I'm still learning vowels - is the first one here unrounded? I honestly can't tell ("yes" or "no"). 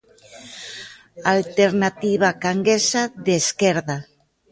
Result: yes